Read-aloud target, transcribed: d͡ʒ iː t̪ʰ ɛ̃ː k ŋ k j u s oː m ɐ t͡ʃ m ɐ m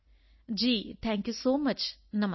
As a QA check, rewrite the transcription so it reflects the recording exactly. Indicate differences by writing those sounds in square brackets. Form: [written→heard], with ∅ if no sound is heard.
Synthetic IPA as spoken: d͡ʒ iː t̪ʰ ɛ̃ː [k→∅] ŋ k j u s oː m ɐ t͡ʃ [m→n] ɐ m